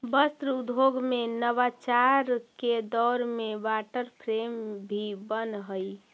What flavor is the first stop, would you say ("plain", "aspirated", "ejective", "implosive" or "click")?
plain